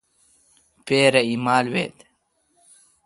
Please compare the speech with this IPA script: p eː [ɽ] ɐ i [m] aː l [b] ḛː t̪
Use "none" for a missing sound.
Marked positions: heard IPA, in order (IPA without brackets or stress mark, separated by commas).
ɾ, m, w